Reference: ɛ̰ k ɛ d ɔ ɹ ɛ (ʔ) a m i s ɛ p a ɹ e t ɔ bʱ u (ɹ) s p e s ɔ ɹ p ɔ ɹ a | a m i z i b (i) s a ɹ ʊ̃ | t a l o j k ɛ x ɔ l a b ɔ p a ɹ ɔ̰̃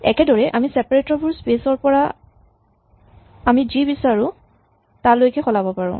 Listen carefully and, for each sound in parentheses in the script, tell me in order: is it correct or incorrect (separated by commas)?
correct, correct, correct